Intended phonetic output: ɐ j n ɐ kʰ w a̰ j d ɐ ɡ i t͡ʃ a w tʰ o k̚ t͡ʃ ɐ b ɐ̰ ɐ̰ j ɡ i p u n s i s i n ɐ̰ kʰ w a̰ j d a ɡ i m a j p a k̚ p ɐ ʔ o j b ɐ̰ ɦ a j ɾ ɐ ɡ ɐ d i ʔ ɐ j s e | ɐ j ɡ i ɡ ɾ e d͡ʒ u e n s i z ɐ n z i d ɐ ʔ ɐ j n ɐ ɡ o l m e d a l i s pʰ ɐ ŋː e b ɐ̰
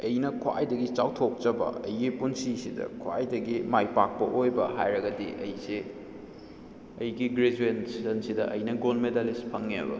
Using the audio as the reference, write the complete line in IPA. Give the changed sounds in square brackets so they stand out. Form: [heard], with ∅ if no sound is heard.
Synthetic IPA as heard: ɐ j n ɐ kʰ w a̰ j d ɐ ɡ i t͡ʃ a w tʰ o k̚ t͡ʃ ɐ b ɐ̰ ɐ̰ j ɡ i p u n s i s i [d] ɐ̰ kʰ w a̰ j d [ɐ] ɡ i m a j p a k̚ p ɐ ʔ o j b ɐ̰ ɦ a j ɾ ɐ ɡ ɐ d i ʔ ɐ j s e | ɐ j ɡ i ɡ ɾ e d͡ʒ u e n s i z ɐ n [s] i d ɐ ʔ ɐ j n ɐ ɡ o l m e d a l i s pʰ ɐ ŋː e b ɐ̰